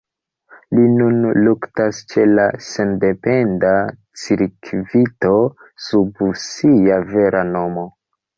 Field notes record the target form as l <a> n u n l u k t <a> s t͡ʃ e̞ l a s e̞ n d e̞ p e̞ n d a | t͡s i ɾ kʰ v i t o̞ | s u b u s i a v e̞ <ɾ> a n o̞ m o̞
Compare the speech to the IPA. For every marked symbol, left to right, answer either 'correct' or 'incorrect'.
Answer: incorrect, correct, correct

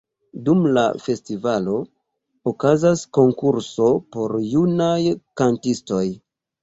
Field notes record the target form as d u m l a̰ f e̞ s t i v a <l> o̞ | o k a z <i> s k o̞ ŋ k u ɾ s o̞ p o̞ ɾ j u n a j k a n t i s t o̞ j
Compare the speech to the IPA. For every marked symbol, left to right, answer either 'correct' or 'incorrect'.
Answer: correct, incorrect

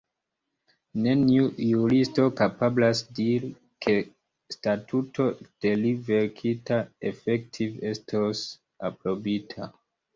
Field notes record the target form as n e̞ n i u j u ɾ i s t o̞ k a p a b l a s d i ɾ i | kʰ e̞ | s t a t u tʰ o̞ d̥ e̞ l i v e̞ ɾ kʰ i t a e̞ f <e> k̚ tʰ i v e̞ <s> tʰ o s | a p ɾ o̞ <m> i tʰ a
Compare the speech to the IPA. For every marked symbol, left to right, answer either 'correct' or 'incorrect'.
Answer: correct, correct, incorrect

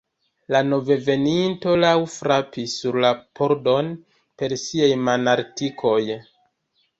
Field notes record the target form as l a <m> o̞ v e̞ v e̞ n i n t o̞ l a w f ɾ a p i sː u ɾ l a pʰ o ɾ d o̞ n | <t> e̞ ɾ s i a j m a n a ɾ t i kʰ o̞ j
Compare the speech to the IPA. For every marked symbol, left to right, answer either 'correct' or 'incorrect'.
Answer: incorrect, incorrect

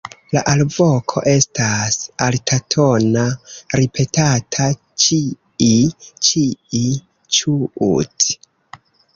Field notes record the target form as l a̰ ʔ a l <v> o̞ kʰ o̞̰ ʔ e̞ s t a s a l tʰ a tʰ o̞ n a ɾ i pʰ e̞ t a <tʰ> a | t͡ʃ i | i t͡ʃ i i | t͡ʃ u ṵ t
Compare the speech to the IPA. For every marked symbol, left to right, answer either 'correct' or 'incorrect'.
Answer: correct, correct

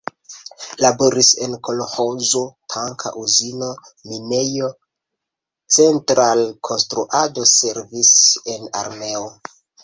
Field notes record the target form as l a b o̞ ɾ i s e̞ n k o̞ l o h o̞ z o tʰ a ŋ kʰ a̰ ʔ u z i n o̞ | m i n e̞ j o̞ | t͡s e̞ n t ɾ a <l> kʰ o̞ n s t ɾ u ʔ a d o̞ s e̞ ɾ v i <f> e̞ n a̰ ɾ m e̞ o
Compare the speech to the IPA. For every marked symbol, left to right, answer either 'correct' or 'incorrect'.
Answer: correct, incorrect

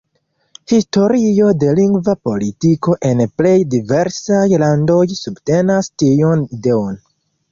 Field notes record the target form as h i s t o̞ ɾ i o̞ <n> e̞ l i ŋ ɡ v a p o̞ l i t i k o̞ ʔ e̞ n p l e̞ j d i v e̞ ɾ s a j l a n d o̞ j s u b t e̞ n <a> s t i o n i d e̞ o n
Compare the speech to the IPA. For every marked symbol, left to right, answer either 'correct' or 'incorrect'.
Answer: incorrect, correct

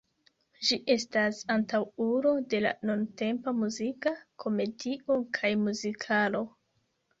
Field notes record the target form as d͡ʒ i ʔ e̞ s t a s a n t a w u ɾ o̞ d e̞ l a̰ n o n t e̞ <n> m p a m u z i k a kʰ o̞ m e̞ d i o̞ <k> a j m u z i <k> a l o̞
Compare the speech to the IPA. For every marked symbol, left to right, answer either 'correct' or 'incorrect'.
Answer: incorrect, incorrect, incorrect

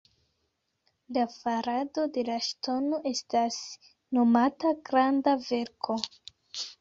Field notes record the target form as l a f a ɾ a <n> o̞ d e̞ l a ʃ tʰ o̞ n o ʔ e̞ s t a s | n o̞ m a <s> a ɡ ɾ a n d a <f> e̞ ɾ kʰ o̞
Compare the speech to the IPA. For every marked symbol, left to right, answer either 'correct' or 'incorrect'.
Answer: incorrect, incorrect, incorrect

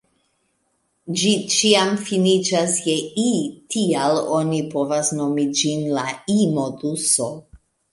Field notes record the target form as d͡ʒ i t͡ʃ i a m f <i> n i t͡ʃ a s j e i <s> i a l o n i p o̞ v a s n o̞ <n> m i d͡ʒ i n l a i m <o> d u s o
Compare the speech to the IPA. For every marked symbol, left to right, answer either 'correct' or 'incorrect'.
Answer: correct, incorrect, incorrect, correct

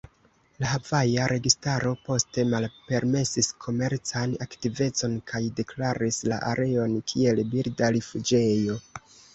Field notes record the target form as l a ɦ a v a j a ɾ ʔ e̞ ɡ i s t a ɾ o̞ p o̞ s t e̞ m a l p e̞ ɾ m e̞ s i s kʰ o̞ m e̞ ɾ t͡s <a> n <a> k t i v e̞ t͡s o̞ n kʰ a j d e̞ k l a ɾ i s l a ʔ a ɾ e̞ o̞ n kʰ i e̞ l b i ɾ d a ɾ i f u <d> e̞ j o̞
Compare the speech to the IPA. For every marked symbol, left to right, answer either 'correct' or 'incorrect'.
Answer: correct, correct, incorrect

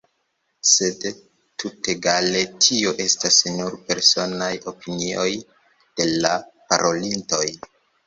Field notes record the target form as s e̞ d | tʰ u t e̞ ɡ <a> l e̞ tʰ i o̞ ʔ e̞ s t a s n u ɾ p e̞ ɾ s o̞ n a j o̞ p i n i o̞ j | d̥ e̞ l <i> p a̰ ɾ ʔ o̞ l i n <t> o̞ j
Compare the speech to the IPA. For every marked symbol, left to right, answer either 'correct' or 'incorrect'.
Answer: correct, incorrect, correct

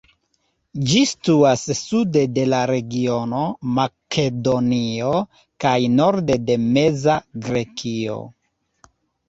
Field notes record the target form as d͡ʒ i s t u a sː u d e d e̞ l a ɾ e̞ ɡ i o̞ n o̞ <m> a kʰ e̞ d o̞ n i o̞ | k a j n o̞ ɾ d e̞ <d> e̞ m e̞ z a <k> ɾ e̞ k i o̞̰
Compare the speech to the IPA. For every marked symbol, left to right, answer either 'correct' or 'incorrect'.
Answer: correct, correct, incorrect

